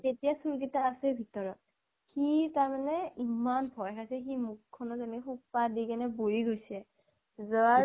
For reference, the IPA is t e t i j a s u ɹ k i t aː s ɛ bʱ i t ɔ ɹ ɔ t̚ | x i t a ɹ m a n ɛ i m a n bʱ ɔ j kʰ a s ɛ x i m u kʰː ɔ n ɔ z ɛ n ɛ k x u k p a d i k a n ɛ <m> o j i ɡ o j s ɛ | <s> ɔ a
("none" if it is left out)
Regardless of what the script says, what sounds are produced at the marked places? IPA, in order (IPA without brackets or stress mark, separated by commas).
b, z